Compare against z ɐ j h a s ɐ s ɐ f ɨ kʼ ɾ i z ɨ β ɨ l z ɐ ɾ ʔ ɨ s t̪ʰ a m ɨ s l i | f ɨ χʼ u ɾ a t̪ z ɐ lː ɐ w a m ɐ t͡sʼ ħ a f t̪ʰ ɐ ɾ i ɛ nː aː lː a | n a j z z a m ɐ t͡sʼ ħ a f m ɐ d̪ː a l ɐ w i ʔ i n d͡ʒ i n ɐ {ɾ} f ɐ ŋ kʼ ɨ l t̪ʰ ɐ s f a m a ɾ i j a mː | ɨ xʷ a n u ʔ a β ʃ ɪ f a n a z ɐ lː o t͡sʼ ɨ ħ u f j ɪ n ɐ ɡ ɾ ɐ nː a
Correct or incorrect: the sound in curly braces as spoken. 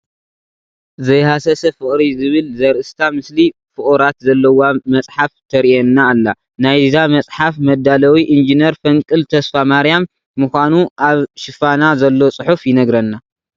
correct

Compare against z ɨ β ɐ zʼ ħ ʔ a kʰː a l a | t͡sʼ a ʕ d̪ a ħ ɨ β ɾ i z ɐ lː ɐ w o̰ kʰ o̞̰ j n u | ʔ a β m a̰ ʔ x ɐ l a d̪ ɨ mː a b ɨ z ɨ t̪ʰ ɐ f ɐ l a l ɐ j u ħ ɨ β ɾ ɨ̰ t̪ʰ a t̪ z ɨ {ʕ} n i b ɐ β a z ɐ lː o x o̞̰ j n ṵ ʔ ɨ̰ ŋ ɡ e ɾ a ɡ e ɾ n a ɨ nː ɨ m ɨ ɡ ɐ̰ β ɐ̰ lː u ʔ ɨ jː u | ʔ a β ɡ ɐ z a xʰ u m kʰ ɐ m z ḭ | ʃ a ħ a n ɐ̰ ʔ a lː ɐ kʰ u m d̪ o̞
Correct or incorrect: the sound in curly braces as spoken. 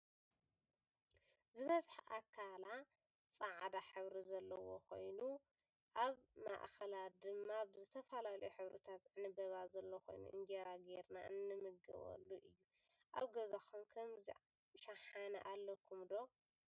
correct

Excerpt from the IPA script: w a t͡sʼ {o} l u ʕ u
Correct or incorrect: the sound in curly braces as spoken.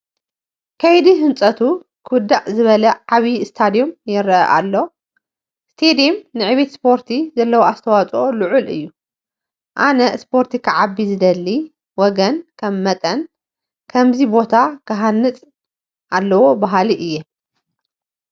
correct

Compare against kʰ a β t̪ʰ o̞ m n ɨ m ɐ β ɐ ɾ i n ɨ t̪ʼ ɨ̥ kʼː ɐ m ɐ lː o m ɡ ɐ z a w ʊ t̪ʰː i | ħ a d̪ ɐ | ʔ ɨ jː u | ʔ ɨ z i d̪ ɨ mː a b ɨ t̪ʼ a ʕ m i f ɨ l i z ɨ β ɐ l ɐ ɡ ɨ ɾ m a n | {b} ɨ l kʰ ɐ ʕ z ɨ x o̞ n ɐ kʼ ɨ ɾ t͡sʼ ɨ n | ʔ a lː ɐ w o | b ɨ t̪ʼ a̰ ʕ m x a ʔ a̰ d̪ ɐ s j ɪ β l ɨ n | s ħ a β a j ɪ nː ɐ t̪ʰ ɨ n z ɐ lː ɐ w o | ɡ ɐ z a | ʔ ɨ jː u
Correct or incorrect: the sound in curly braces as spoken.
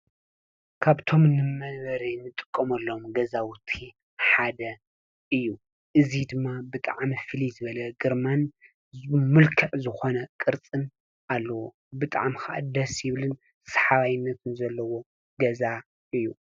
incorrect: m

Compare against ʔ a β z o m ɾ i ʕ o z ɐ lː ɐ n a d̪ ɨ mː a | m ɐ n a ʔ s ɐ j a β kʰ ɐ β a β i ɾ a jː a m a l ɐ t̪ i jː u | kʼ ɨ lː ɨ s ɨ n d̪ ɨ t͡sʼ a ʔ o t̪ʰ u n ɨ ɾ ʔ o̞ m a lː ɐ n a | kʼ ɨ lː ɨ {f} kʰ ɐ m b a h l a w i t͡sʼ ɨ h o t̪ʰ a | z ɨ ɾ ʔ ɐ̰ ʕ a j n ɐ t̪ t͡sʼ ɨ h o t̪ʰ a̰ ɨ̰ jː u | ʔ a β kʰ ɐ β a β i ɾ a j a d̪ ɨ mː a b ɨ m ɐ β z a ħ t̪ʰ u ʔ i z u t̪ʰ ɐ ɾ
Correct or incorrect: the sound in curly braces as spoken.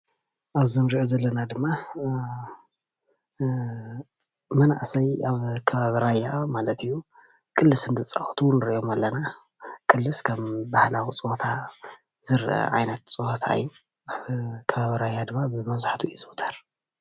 incorrect: s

